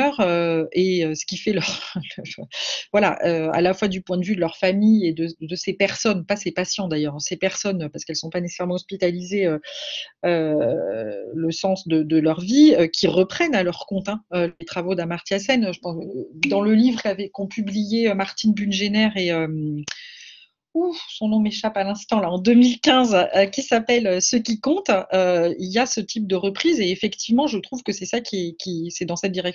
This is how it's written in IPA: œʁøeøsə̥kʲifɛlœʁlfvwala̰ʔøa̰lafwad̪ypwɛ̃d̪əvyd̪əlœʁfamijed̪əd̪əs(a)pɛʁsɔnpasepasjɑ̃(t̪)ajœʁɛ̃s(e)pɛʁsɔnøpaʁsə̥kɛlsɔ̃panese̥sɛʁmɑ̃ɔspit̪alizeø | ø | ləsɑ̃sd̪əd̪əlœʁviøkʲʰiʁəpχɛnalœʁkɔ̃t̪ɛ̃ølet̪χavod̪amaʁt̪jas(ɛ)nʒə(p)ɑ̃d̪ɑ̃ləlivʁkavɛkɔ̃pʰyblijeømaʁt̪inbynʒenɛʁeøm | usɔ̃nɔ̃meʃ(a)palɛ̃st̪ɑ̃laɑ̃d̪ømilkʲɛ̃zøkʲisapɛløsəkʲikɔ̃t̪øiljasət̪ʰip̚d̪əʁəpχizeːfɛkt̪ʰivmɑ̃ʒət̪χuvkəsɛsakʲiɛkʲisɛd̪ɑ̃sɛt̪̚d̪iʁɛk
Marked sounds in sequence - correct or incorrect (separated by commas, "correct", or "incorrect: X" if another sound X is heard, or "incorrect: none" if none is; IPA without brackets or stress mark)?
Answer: incorrect: e, incorrect: d̪, correct, correct, correct, correct